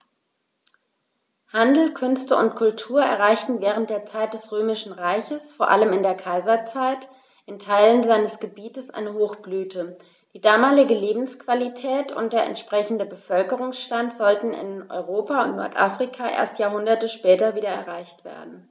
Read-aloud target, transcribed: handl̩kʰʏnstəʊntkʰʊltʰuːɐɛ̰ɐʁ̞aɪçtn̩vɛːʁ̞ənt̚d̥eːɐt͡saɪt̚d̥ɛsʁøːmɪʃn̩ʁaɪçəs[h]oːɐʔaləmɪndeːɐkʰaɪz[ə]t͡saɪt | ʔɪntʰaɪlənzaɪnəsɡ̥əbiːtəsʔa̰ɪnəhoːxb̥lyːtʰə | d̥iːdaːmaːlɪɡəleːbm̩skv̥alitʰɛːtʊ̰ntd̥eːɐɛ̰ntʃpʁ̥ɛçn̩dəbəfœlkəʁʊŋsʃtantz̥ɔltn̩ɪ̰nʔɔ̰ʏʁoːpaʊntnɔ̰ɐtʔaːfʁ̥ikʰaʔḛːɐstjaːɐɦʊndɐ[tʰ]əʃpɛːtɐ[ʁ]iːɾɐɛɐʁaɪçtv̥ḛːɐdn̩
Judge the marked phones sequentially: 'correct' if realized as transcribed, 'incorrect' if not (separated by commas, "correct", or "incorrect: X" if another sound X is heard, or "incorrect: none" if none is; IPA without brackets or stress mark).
incorrect: f, incorrect: ɐ, incorrect: t, incorrect: v